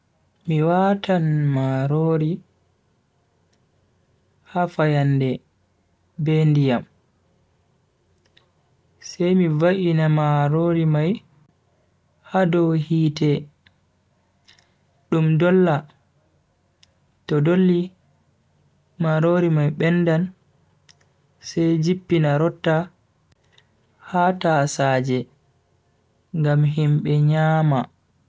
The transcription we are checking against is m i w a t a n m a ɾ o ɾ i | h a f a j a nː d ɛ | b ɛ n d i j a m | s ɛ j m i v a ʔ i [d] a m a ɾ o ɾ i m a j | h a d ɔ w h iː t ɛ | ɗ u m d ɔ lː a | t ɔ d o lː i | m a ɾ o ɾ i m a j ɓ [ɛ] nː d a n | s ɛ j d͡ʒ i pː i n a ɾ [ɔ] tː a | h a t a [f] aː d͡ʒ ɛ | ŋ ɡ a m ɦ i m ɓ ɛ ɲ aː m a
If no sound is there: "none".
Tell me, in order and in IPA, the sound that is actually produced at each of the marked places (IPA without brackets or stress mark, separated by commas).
n, ɛ, ɔ, s